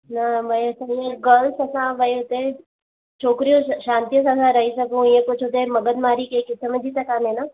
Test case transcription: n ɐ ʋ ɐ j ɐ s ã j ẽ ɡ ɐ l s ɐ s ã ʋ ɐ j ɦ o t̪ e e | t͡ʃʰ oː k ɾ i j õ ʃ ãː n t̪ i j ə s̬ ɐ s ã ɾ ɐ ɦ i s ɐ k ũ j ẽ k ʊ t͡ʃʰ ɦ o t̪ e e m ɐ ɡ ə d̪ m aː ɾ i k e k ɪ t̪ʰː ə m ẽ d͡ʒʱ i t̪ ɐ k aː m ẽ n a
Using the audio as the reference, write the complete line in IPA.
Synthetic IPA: n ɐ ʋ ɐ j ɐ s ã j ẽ ɡ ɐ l s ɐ s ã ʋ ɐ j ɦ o t̪ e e | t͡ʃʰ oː k ɾ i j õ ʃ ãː n t̪ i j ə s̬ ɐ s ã ɾ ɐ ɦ i s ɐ k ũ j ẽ k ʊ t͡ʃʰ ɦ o t̪ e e m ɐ ɡ ə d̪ m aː ɾ i k e k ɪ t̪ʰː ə m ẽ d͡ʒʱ i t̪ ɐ k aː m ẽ n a